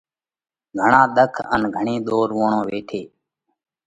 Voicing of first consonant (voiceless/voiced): voiced